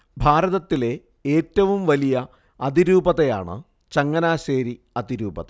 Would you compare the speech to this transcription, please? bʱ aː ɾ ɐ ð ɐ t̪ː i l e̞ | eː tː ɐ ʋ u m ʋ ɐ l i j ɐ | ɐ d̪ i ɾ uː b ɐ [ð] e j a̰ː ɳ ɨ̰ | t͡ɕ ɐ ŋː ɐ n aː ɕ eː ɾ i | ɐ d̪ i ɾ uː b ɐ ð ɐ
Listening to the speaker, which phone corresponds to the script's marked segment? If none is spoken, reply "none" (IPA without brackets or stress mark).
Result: ð